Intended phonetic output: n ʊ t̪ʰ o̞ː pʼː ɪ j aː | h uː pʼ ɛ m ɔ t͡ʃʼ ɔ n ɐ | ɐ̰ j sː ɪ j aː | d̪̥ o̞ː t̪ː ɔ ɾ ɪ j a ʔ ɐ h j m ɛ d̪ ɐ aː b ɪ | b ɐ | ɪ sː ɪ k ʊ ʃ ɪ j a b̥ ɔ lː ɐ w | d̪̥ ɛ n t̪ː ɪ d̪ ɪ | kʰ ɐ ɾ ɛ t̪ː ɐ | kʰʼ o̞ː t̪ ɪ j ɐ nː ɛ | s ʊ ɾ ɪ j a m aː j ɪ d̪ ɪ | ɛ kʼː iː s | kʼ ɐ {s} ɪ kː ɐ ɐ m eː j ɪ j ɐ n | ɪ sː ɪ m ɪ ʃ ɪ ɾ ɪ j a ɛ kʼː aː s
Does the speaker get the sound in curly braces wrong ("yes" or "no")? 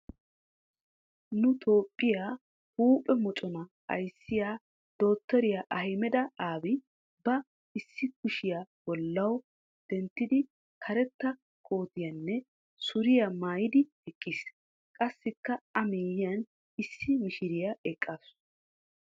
yes